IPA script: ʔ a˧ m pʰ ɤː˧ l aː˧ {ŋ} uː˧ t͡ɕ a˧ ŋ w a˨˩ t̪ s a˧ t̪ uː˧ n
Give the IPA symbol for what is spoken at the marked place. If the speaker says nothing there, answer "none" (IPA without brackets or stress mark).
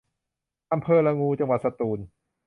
ŋ